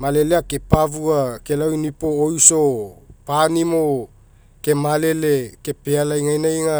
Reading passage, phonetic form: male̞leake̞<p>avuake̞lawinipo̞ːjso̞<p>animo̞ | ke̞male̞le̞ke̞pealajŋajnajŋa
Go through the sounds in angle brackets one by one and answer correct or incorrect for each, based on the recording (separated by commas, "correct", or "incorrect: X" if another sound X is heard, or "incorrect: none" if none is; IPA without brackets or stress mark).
correct, correct